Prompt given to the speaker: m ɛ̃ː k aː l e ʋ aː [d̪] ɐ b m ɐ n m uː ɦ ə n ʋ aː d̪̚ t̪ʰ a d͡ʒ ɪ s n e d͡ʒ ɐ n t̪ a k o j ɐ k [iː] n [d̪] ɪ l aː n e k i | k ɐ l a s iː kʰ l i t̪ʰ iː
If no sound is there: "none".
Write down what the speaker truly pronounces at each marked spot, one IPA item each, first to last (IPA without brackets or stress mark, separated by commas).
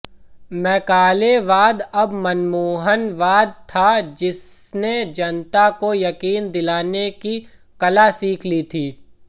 d̪, iː, d̪